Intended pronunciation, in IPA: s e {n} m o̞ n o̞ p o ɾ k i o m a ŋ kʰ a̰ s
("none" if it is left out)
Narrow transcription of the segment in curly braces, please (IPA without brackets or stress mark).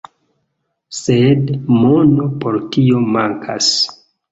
d